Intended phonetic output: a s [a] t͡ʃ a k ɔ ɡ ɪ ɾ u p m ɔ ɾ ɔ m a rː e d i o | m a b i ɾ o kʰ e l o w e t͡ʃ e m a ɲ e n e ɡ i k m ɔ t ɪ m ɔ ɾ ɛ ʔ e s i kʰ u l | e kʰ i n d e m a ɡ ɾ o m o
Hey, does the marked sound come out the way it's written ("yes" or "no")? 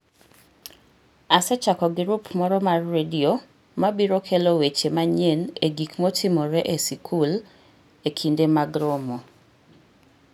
no